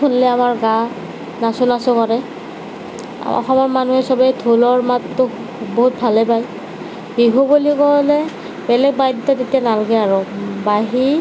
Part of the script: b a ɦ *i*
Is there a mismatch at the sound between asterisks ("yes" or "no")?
no